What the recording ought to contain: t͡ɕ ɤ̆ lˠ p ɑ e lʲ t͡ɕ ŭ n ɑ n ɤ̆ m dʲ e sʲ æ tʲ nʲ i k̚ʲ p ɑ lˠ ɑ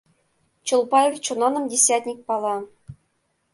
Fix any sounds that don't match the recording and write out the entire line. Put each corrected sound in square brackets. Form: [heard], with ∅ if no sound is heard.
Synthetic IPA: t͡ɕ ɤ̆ lˠ p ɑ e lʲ t͡ɕ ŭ n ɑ n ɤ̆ m dʲ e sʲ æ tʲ nʲ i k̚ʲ p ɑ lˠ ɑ